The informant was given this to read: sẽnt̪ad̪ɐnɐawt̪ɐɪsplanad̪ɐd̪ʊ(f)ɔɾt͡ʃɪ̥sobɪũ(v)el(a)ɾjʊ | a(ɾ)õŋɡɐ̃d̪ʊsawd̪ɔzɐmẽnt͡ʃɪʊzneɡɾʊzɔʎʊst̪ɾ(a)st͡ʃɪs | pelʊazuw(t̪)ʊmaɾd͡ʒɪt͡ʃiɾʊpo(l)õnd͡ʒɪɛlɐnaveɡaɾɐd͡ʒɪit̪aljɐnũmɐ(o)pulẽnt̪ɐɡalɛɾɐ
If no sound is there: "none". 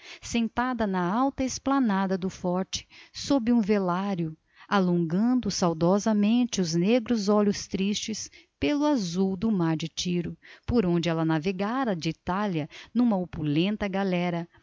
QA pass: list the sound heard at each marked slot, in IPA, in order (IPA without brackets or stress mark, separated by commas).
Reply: f, v, a, l, i, d̪, ɾ, o